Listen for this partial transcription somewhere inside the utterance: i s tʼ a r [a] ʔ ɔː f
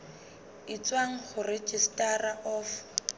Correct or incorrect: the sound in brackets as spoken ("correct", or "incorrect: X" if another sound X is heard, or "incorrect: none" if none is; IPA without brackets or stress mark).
correct